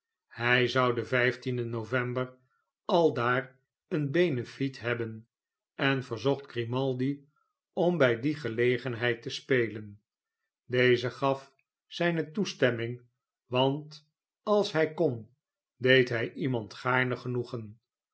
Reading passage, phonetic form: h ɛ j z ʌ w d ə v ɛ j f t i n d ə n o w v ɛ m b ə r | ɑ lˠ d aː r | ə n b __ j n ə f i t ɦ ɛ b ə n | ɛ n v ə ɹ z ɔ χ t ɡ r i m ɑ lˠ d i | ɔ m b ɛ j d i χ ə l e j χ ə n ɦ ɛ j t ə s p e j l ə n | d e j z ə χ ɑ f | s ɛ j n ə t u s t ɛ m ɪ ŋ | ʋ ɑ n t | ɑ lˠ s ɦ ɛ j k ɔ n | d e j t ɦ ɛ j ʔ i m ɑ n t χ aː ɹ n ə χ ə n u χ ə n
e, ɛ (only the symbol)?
e